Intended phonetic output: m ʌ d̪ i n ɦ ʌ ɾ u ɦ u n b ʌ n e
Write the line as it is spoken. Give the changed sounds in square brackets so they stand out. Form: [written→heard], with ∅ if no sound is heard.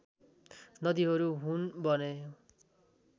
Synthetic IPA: [m→n] ʌ d̪ i [n→∅] ɦ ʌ ɾ u ɦ u n b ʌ n e